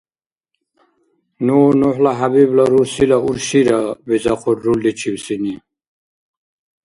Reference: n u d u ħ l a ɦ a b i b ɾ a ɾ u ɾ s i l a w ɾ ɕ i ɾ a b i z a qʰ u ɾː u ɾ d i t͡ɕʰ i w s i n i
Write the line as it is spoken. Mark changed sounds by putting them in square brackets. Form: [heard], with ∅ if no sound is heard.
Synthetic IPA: n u [n] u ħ l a ɦ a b i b [l] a ɾ u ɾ s i l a [u] ɾ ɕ i ɾ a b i z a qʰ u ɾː u [l] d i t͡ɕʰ i w s i n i

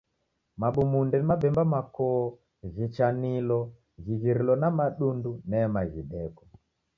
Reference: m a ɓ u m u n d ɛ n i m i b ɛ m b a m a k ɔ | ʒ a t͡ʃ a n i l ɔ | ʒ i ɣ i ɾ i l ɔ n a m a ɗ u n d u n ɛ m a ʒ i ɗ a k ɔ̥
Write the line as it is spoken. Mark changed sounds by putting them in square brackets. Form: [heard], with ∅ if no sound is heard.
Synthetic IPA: m a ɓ u m u n d ɛ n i m [a] b ɛ m b a m a k ɔ | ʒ [i] t͡ʃ a n i l ɔ | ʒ i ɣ i ɾ i l ɔ n a m a ɗ u n d u n ɛ m a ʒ i ɗ [ɛ] k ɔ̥

